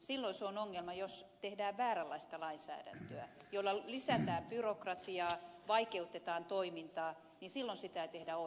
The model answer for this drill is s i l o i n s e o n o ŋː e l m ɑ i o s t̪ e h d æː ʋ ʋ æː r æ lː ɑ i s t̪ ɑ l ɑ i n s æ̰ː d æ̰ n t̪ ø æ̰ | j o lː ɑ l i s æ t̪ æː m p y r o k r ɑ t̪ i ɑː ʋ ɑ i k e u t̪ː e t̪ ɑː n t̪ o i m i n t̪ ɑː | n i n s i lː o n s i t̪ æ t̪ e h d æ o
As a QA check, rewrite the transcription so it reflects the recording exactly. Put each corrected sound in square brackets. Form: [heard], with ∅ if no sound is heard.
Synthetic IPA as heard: s i [lː] o i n s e o n o ŋː e l m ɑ [j] o s t̪ e h d æː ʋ ʋ æː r æ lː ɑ i s t̪ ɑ l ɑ i n s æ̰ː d æ̰ n t̪ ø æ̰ | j o lː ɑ l i s æ t̪ æː m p y r o k r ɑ t̪ i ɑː ʋ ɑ i k e u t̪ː e t̪ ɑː n t̪ o i m i n t̪ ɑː | n i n s i lː o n s i t̪ æ t̪ e h d æ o